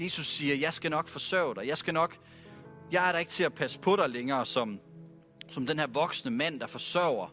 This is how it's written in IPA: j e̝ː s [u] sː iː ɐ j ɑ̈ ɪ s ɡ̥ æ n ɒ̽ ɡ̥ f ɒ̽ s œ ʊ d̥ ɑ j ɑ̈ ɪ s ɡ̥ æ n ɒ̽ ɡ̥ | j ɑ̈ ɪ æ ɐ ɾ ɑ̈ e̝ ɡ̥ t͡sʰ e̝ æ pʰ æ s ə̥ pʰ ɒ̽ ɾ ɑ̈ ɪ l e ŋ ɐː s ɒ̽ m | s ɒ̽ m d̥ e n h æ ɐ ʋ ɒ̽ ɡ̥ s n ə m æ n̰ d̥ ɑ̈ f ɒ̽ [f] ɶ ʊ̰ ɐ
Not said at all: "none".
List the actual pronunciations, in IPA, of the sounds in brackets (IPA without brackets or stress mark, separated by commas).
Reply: u, s